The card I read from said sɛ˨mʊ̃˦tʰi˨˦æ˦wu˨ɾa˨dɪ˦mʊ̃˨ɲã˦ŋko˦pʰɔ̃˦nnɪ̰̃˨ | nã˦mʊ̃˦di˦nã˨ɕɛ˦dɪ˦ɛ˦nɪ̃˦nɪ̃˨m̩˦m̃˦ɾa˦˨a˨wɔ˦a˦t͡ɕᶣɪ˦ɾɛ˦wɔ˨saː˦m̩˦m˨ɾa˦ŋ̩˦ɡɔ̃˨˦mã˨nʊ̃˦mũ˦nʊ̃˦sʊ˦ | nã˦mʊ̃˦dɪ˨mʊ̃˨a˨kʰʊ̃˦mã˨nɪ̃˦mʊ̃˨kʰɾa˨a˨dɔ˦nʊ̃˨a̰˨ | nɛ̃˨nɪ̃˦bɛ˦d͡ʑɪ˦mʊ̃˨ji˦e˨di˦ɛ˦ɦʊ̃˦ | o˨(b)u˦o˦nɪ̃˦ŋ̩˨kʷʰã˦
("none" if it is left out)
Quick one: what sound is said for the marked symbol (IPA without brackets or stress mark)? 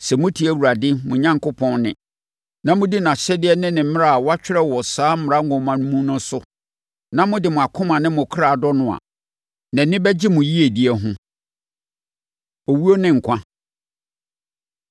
w